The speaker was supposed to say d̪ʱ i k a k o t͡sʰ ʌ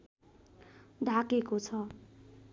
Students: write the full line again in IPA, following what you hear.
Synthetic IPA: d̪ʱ a k e k o t͡sʰ ʌ